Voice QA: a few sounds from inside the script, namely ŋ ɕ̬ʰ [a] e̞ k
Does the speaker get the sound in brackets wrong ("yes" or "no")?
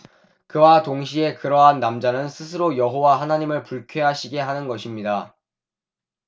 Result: yes